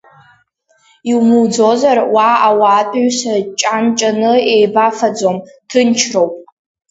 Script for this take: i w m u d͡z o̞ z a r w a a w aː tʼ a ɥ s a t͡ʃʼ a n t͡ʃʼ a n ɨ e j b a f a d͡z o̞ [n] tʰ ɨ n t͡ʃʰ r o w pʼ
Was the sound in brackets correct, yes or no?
no